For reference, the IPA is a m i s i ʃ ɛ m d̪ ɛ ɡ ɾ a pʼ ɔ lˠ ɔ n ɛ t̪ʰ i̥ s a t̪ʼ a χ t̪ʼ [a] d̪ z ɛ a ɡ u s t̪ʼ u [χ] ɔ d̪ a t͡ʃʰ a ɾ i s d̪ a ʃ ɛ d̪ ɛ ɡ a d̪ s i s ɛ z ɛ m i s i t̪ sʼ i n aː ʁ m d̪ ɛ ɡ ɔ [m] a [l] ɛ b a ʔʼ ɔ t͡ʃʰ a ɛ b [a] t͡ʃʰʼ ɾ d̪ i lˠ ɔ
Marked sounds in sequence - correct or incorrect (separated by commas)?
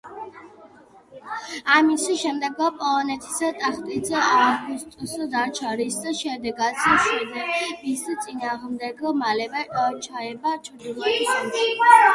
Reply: incorrect, incorrect, correct, correct, correct